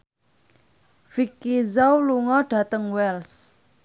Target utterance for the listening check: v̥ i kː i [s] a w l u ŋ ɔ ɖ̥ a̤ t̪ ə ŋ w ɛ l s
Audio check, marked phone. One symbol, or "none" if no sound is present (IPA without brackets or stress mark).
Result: z